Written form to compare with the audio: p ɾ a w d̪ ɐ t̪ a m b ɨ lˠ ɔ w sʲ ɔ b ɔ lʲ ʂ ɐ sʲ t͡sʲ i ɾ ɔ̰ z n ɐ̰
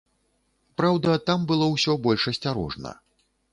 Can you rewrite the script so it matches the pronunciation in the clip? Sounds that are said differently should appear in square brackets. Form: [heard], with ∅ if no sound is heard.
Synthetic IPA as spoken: p ɾ a w d̪ ɐ t̪ a m b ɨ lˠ ɔ w sʲ ɔ b ɔ lʲ ʂ ɐ sʲ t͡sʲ [a] ɾ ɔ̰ [ʐ] n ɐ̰